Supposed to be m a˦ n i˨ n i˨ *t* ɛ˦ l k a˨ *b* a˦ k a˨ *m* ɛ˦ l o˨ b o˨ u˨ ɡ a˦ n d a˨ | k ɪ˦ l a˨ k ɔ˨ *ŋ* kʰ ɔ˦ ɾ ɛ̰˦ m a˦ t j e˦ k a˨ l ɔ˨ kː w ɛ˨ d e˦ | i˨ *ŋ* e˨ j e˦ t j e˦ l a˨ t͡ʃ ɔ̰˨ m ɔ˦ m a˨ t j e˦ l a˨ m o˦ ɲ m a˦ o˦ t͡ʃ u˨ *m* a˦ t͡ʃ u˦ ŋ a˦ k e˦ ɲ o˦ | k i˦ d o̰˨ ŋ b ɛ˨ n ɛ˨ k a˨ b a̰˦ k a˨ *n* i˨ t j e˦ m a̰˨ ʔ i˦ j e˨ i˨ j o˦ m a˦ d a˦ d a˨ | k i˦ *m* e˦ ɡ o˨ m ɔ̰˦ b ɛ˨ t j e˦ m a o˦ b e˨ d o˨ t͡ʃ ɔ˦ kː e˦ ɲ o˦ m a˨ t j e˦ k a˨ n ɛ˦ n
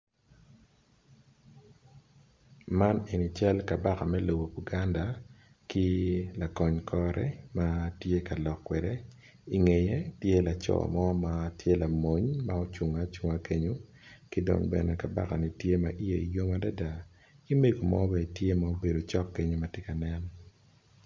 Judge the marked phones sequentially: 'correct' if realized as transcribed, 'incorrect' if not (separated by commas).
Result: incorrect, correct, correct, incorrect, correct, incorrect, correct, correct